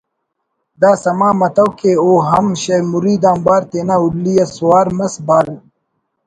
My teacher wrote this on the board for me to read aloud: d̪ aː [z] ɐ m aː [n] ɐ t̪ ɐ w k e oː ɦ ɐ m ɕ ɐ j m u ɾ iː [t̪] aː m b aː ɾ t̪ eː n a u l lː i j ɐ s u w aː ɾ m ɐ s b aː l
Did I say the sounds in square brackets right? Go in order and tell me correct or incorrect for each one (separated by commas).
incorrect, incorrect, incorrect